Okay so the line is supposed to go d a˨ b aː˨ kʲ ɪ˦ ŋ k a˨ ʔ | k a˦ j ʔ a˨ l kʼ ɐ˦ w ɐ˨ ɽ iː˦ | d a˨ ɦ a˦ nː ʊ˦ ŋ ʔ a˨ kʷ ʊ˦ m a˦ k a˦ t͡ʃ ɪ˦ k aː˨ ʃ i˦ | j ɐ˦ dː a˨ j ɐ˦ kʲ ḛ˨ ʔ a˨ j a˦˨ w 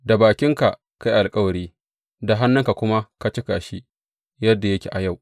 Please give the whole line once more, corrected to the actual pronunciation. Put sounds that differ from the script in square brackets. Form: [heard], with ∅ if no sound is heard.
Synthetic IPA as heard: d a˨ b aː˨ kʲ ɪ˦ ŋ k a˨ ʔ | k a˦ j ʔ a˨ l kʼ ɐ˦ w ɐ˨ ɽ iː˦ | d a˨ ɦ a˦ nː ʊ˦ ŋ [k] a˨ kʷ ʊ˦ m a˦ k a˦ t͡ʃ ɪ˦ k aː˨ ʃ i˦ | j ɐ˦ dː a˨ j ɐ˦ kʲ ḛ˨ ʔ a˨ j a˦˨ w